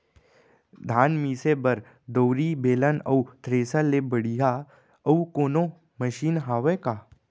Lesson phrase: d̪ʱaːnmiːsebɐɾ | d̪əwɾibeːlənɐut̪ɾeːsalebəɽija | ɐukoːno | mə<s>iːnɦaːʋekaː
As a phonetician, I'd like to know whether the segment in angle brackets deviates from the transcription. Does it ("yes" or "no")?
yes